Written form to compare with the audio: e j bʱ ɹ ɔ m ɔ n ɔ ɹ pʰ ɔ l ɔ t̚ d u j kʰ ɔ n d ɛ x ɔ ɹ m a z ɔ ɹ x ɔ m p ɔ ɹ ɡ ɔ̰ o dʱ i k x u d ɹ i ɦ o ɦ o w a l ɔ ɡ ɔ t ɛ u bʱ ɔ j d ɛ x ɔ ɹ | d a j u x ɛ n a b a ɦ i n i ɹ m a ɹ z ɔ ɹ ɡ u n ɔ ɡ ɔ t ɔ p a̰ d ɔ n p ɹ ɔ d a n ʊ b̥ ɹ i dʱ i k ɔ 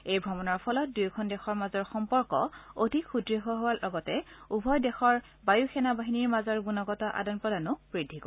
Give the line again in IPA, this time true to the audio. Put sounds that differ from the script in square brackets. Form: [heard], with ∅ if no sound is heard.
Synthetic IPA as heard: e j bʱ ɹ ɔ m ɔ n ɔ ɹ pʰ ɔ l ɔ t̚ d u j kʰ ɔ n d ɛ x ɔ ɹ m a z ɔ ɹ x ɔ m p ɔ ɹ [k] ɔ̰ o dʱ i k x u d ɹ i ɦ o ɦ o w a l ɔ ɡ ɔ t ɛ u bʱ ɔ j d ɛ x ɔ ɹ | [b] a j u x ɛ n a b a ɦ i n i ɹ m a [∅] z ɔ ɹ ɡ u n ɔ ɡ ɔ t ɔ [ʔ] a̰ d ɔ n p ɹ ɔ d a n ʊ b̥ ɹ i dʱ i k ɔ